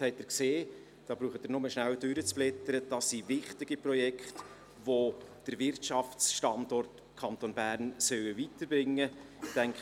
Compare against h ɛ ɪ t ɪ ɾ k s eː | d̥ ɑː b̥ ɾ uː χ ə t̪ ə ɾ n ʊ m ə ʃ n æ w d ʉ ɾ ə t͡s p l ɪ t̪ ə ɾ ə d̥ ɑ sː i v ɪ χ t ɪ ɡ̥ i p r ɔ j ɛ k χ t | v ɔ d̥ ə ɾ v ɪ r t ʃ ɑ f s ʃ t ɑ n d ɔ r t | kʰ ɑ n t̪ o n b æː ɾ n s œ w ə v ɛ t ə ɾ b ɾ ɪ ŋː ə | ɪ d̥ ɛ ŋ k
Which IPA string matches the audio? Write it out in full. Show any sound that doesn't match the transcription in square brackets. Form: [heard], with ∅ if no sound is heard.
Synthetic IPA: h ɛ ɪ t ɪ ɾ k s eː | d̥ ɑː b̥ ɾ uː χ ə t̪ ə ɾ n ʊ m ə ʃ n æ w d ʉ ɾ ə t͡s p l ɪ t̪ ə ɾ ə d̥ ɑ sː i v ɪ χ t ɪ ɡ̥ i p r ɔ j ɛ k χ t | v [o] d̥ ə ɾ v ɪ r t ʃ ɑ f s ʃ t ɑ n d ɔ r t | kʰ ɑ n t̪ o n b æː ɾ n s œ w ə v [i] t ə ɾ b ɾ ɪ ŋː ə | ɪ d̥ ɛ ŋ k